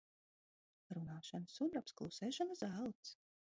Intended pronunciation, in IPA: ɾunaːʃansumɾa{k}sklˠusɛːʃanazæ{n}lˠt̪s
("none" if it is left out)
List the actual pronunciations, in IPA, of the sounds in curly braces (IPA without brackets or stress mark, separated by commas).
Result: p, none